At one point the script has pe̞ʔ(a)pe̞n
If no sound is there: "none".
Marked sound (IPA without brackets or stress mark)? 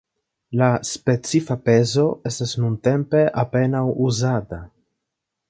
a